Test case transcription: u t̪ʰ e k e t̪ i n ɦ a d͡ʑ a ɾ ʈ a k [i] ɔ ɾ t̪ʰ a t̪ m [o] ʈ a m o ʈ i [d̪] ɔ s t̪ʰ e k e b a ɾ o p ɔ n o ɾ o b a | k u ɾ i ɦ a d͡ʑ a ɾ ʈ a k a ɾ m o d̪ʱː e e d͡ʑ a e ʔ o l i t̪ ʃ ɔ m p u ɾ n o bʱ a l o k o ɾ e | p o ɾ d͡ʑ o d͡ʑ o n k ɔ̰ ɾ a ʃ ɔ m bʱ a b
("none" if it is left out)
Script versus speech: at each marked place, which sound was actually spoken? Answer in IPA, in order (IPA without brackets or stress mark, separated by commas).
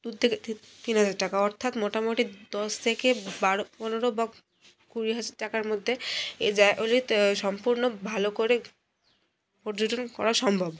a, o, d̪